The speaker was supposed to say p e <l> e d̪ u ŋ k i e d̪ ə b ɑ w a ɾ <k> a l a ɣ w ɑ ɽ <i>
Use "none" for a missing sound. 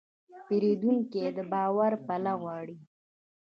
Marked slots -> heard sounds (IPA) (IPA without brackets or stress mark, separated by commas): ɾ, p, i